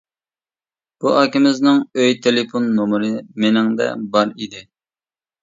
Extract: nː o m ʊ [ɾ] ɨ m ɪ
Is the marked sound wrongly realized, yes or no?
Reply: no